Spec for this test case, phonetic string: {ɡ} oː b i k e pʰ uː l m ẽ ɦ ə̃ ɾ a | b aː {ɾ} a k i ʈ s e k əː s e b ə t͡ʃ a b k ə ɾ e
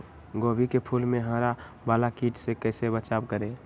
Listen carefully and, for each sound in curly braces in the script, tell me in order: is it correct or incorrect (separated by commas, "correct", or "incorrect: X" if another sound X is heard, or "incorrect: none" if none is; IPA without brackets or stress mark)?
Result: correct, incorrect: l